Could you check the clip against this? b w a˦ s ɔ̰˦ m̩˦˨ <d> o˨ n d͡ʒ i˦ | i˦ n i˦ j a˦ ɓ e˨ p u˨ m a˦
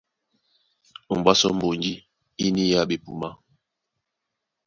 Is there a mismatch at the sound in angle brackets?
yes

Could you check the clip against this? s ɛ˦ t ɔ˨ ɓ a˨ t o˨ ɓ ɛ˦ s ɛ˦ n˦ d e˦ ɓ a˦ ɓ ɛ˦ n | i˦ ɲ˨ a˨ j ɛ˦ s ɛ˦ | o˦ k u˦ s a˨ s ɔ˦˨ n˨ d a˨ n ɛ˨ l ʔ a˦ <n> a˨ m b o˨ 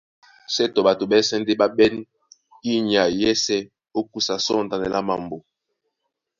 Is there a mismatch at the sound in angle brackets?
yes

